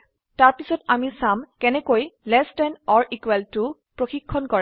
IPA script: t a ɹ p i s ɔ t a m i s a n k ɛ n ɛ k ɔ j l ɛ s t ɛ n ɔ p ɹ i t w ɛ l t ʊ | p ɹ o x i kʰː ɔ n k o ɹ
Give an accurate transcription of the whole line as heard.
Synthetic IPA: t a ɹ p i s ɔ t a m i s a m k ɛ n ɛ k o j l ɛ s t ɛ n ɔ ɹ i k w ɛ l t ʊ | p ɹ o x i kʰː ɔ n k ɔ ɹ